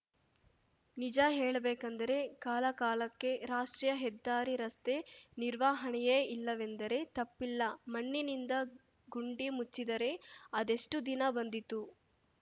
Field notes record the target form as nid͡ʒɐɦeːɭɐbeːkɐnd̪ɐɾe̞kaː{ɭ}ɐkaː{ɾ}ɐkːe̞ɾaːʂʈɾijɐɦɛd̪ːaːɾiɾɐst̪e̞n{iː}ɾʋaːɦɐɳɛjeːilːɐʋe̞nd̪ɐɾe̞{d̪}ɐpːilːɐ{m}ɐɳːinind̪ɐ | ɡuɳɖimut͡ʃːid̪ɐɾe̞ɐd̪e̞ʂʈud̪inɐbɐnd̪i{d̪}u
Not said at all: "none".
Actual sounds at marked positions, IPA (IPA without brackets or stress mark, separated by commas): l, l, i, t̪, m, t̪